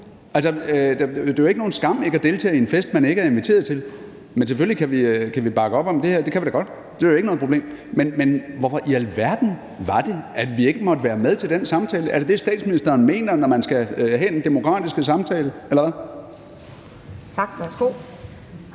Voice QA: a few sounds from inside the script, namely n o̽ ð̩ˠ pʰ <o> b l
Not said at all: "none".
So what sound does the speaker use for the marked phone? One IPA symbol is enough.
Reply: o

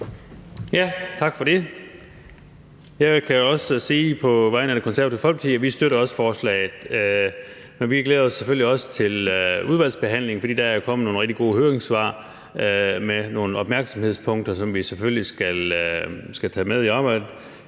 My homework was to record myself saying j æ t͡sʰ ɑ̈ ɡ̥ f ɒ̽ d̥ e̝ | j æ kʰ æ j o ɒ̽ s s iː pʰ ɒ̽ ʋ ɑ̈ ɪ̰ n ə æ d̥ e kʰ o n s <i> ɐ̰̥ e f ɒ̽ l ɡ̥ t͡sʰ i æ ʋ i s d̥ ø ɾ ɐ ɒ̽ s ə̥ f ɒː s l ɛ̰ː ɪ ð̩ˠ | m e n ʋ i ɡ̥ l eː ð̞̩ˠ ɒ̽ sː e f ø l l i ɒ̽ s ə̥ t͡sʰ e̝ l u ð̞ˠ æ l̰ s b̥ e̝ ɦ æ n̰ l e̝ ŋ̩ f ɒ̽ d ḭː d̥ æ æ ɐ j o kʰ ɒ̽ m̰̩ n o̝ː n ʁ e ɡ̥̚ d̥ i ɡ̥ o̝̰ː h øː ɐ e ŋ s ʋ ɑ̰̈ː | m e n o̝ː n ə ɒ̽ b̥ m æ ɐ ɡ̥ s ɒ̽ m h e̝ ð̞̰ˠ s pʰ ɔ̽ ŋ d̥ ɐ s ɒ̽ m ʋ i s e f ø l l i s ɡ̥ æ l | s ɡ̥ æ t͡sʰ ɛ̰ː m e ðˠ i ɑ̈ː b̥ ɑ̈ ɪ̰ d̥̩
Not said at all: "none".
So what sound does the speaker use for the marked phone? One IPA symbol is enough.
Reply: æ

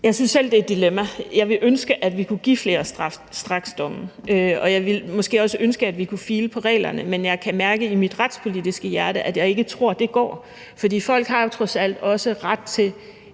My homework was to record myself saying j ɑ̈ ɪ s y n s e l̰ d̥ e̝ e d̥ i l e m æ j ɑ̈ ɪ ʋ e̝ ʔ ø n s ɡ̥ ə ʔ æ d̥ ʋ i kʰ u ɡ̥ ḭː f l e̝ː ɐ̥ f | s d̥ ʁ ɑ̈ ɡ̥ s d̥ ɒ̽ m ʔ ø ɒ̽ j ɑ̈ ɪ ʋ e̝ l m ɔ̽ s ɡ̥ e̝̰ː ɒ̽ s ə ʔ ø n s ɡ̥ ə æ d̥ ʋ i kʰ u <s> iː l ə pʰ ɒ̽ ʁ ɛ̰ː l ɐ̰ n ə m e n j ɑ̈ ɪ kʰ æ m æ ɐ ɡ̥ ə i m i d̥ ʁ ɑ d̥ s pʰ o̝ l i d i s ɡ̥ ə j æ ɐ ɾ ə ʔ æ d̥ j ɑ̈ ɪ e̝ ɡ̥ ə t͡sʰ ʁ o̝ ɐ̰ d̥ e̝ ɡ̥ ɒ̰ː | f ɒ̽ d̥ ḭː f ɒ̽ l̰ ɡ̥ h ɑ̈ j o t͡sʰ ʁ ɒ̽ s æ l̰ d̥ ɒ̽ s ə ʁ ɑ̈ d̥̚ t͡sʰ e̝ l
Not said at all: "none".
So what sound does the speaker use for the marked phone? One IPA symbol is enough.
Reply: f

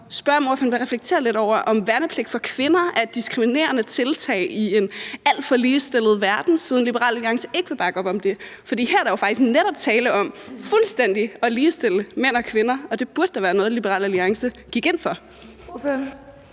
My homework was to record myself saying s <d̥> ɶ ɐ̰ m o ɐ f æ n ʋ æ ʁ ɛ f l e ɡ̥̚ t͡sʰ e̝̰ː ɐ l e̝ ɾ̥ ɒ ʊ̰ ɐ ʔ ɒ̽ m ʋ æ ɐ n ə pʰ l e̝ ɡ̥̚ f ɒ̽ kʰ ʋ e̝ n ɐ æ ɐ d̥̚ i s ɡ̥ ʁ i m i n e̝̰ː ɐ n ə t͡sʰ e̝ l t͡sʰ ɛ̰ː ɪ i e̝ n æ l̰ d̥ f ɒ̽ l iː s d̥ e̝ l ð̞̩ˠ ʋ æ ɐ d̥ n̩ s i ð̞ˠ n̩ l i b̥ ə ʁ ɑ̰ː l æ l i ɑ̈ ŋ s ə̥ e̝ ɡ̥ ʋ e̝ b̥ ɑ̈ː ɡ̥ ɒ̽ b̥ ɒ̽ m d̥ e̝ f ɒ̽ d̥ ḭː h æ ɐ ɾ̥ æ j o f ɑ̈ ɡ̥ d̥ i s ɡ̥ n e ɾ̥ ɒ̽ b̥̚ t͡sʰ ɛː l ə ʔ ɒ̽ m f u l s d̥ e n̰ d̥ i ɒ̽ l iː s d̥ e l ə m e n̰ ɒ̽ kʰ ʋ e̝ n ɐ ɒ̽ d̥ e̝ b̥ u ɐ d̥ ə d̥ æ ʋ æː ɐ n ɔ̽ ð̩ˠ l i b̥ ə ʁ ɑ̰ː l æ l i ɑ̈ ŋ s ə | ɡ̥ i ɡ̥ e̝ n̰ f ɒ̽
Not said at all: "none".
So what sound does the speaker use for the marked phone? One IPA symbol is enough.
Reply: b̥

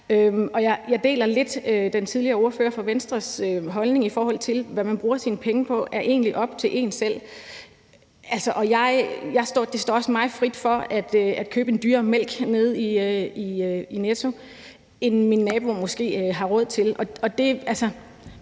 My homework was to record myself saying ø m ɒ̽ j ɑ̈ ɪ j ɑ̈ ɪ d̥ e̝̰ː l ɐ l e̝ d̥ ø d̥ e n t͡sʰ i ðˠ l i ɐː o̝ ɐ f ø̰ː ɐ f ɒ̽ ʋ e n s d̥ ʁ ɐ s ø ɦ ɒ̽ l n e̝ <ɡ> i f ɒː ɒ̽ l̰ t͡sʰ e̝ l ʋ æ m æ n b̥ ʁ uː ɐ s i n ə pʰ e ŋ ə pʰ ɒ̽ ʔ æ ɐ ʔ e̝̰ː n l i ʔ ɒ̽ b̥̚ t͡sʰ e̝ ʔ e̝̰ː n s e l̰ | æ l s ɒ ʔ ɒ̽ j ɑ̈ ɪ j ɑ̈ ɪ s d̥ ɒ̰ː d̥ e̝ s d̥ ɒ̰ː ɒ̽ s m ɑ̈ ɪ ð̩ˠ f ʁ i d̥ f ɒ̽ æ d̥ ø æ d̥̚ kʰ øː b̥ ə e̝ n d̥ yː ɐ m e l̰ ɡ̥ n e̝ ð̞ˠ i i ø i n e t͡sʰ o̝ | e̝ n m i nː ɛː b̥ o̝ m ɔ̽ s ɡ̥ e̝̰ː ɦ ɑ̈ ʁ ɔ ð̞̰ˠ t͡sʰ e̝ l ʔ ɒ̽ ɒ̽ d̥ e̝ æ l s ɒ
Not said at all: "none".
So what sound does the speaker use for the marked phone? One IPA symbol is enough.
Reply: ŋ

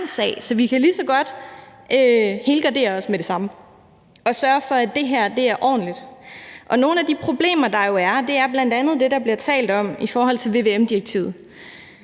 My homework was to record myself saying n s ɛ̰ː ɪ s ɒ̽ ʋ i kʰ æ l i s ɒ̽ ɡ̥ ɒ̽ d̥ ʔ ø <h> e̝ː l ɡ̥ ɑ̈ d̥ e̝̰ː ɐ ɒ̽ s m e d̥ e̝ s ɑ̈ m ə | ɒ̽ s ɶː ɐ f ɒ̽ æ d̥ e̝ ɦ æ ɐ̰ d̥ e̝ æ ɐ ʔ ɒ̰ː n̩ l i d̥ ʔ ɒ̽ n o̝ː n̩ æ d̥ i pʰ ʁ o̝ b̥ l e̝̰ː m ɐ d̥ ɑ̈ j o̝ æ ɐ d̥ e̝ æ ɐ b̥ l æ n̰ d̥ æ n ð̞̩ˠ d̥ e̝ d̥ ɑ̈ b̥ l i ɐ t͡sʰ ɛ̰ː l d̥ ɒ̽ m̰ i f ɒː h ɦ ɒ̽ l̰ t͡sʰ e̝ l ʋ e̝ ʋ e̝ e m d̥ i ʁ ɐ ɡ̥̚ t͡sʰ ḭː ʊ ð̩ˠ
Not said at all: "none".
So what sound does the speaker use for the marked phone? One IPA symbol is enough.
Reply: h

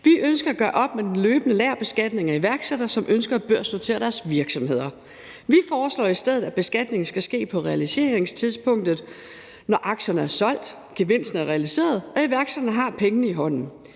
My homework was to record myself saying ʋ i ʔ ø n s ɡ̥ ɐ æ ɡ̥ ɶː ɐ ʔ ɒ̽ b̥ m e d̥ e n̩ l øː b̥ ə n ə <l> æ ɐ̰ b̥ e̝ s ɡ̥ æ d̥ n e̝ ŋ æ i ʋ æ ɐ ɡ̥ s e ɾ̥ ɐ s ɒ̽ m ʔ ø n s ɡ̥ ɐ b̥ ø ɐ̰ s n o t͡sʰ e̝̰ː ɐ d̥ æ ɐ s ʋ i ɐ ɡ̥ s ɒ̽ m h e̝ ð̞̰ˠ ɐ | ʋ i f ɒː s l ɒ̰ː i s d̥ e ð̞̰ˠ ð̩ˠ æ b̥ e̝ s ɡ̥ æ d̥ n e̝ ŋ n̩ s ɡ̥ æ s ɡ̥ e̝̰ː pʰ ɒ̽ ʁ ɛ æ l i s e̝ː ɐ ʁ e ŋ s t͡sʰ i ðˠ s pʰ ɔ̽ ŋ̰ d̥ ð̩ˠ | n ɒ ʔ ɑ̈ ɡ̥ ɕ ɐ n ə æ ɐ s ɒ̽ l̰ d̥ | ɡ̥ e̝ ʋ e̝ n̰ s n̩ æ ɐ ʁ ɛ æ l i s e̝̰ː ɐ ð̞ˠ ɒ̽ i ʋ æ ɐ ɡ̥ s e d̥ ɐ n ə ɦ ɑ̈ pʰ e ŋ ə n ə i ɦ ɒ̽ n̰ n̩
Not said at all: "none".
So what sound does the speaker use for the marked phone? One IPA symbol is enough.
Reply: l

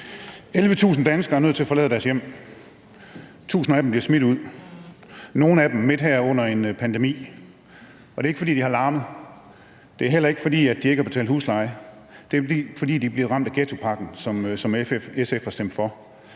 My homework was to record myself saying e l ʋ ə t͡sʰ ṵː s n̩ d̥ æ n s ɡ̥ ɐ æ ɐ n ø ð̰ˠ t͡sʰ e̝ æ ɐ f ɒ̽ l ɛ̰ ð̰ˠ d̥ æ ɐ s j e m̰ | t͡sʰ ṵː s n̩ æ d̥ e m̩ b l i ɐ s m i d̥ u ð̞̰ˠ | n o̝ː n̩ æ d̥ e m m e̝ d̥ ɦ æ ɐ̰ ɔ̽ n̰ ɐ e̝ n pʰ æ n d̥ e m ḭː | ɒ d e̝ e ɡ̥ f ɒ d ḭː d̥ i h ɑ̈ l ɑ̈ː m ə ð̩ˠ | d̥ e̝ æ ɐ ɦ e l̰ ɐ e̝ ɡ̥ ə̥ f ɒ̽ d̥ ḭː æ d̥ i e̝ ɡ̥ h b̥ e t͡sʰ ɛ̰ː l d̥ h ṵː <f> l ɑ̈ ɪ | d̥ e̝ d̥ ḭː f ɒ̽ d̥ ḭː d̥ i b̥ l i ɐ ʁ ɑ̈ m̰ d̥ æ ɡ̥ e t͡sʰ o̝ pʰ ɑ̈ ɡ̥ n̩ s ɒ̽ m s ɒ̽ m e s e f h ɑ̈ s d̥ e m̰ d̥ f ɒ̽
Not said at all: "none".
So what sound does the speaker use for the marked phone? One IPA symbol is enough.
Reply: s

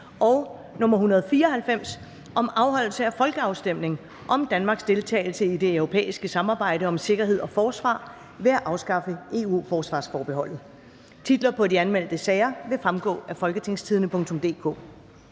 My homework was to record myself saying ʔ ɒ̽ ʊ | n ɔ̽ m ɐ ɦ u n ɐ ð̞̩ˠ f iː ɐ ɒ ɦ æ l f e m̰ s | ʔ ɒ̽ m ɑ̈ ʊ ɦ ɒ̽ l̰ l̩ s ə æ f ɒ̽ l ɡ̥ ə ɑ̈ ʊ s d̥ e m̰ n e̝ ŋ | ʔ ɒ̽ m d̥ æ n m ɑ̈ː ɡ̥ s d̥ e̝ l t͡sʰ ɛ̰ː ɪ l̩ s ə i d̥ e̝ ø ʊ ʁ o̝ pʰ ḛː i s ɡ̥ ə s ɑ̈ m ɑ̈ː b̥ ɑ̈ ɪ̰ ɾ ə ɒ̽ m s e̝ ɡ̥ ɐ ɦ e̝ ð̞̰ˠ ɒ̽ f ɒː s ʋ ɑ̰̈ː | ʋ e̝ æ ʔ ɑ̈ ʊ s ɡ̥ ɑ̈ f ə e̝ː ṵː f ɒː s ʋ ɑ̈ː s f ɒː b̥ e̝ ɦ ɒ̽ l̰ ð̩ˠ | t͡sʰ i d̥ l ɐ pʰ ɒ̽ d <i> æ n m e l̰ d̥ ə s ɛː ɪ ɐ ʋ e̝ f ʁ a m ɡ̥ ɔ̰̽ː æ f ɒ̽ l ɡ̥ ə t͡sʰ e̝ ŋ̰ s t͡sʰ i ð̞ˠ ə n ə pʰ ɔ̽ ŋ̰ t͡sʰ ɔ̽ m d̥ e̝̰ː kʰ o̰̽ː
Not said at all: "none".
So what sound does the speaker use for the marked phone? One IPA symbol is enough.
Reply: i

